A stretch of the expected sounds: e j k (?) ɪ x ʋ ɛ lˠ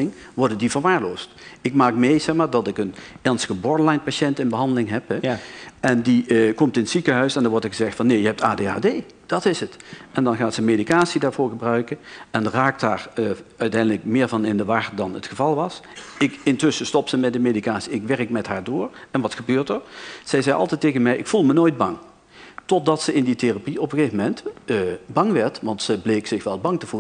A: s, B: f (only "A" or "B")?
A